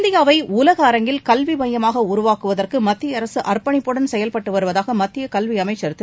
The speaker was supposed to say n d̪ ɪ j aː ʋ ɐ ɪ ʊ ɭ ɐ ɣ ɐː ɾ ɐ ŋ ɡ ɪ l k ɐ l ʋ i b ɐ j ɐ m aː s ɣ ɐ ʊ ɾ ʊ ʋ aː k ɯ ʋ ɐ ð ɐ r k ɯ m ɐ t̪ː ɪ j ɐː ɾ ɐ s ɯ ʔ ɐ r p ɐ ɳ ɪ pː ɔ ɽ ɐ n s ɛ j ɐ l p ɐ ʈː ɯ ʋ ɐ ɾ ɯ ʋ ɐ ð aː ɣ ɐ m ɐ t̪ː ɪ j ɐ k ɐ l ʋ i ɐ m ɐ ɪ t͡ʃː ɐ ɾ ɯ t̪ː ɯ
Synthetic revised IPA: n d̪ ɪ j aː ʋ ɐ ɪ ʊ l ɐ ɣ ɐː ɾ ɐ ŋ ɡ ɪ l k ɐ l ʋ i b ɐ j ɐ m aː ɣ ɐ ʊ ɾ ʊ ʋ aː k ɯ ʋ ɐ ð ɐ r k ɯ m ɐ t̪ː ɪ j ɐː ɾ ɐ s ɯ ʔ ɐ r p ɐ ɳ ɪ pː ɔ ɽ ɐ n s ɛ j ɐ l p ɐ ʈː ɯ ʋ ɐ ɾ ɯ ʋ ɐ ð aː ɣ ɐ m ɐ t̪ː ɪ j ɐ k ɐ l ʋ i ɐ m ɐ ɪ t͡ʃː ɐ ɾ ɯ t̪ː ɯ